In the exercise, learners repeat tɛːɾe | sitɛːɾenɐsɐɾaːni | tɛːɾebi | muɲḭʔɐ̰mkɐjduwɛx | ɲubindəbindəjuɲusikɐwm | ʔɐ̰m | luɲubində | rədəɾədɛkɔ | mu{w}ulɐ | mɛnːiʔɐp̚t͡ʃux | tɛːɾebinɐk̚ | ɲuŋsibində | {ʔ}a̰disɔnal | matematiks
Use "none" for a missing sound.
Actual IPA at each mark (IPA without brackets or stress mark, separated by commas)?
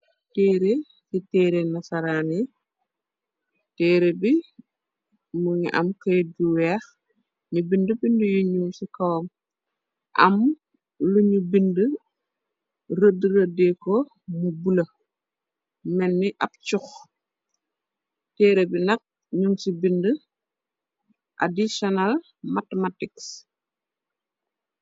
b, ʔ